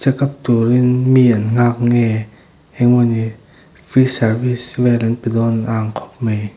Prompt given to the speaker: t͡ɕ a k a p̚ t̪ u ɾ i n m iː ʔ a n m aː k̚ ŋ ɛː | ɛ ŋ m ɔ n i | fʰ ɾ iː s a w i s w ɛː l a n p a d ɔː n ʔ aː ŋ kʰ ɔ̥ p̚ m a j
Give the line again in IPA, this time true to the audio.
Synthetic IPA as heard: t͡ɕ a k a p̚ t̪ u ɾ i n m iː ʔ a n ŋ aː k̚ ŋ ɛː | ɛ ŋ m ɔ n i | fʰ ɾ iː s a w i s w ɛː l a n p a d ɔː n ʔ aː ŋ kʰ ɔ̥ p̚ m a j